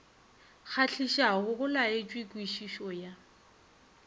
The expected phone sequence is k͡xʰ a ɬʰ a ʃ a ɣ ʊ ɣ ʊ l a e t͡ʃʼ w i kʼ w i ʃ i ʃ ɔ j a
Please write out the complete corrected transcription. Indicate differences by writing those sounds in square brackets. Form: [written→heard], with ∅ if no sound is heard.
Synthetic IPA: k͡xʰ a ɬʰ [a→i] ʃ a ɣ ʊ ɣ ʊ l a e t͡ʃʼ w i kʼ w i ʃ i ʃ ɔ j a